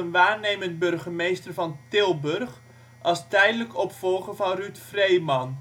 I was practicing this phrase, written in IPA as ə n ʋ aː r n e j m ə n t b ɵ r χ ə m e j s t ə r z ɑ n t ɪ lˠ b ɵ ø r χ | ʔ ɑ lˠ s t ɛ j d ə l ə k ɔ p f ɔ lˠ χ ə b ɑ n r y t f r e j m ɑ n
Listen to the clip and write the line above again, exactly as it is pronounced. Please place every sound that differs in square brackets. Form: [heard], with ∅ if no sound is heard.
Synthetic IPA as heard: ə n ʋ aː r n e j m ə n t b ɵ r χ ə m e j s t ə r [v] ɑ n t ɪ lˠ b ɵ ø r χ | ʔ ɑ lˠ s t ɛ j d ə l ə k ɔ p f ɔ lˠ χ ə [v] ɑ n r y t f r e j m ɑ n